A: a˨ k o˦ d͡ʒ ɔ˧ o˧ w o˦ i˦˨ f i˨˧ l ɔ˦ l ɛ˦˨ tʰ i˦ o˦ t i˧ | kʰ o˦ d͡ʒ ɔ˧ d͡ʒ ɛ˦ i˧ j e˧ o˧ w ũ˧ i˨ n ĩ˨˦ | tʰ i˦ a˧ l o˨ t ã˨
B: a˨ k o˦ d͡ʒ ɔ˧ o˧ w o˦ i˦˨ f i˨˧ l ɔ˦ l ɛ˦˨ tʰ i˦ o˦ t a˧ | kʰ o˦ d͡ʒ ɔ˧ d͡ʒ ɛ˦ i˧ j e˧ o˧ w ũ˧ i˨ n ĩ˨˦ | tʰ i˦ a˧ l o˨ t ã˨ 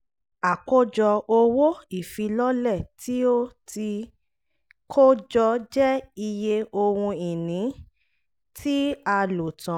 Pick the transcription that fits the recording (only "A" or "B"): A